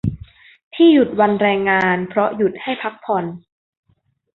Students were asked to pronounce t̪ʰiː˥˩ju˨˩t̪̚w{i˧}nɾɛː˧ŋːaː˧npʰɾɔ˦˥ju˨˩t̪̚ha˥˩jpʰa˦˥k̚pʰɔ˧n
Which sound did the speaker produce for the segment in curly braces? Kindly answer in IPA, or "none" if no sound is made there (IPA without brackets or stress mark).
a˧